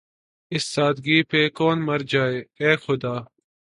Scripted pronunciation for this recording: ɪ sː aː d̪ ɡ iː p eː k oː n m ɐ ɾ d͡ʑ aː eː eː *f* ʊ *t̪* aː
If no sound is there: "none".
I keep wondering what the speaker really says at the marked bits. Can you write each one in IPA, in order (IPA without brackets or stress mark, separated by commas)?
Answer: x, d̪